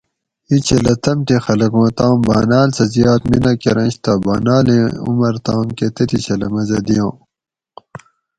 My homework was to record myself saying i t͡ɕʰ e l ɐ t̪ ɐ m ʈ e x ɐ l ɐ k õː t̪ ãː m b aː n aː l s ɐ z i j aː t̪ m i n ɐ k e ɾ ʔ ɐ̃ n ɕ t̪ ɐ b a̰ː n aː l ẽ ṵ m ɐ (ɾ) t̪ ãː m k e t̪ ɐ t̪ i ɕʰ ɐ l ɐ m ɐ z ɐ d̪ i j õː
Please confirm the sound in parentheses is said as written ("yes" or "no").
yes